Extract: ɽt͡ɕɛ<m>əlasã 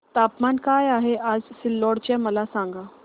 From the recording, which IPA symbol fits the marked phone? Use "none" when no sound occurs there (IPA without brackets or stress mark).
m